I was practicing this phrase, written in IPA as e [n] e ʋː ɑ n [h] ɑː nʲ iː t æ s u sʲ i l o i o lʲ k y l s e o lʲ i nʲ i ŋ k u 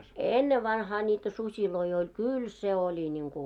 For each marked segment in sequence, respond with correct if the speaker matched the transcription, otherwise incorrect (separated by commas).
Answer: incorrect, correct